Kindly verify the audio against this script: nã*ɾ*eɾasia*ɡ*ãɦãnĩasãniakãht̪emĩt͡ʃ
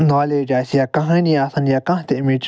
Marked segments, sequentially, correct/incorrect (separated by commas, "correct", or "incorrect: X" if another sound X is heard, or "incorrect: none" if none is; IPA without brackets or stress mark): incorrect: l, incorrect: k